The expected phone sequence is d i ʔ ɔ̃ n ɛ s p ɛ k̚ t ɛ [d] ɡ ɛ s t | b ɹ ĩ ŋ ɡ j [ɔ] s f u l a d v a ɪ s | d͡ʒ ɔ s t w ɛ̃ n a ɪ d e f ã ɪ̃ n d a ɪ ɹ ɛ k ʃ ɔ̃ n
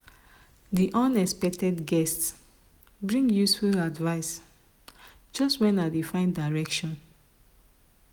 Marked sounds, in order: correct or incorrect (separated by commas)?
correct, incorrect